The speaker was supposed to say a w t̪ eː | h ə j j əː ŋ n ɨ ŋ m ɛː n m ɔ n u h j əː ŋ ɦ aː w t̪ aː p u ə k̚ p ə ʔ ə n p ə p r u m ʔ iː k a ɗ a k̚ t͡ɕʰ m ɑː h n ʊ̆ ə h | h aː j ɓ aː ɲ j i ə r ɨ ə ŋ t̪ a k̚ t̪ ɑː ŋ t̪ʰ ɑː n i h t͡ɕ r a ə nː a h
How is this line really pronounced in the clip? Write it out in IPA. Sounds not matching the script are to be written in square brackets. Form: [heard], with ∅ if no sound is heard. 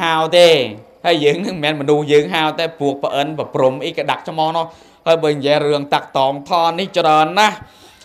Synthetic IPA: a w t̪ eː | h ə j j əː ŋ n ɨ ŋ m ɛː n m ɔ n u h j əː ŋ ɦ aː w t̪ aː p u ə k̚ p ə ʔ ə n p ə p r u m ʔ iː k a ɗ a k̚ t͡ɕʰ m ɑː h n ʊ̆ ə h | h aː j ɓ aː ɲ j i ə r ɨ ə ŋ t̪ a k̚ t̪ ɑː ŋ t̪ʰ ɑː n i h t͡ɕ r a ə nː a h